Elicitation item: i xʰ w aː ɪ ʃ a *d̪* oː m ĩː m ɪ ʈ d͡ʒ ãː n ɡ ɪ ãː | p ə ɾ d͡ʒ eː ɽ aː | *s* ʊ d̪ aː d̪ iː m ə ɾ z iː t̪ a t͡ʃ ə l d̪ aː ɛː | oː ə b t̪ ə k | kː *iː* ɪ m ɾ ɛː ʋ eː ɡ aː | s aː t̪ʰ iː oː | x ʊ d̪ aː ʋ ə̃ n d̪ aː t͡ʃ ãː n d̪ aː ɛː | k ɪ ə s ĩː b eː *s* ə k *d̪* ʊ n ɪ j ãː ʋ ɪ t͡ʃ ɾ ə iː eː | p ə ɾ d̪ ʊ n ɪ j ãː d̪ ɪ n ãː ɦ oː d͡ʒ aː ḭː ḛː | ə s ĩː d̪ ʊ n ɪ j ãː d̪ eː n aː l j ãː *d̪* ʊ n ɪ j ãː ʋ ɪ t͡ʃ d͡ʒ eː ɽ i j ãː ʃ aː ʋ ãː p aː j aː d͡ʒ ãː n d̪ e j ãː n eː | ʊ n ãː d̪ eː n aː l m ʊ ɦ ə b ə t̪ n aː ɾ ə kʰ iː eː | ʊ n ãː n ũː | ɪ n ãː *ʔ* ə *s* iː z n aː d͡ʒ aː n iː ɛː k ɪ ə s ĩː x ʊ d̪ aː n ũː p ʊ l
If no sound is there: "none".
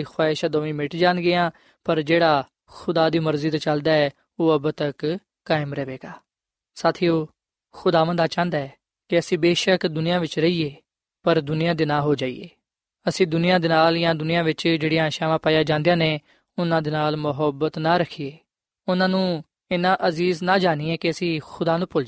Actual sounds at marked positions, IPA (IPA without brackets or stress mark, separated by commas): d̪, x, aː, ʃ, d̪, d̪, ʔ, z